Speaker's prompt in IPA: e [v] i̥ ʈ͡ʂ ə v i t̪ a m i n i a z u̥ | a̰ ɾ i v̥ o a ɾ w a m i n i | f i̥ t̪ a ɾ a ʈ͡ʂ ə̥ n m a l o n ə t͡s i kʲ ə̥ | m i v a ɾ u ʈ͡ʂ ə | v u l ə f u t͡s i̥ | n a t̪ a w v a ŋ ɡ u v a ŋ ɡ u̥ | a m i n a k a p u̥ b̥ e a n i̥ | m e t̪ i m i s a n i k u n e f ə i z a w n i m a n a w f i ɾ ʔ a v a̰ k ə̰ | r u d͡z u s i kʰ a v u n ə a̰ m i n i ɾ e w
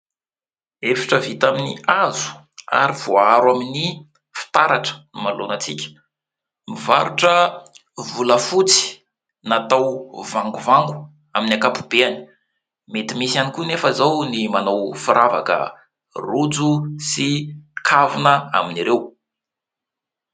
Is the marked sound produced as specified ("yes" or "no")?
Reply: no